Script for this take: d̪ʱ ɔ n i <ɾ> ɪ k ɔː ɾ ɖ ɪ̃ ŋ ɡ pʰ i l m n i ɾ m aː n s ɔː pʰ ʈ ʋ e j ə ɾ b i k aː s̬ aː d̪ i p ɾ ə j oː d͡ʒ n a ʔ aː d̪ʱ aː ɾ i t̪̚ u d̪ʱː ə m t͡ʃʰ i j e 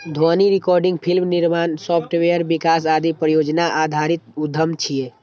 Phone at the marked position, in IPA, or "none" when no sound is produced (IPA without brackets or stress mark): ɾ